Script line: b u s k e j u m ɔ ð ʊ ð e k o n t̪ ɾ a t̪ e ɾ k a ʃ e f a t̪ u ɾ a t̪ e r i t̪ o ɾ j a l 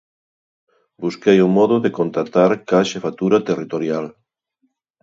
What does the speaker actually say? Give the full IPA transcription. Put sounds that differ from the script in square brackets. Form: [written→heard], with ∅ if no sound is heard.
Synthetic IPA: b u s k e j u m ɔ ð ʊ ð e k o n t̪ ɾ a t̪ [e→a] ɾ k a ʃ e f a t̪ u ɾ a t̪ e r i t̪ o ɾ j a l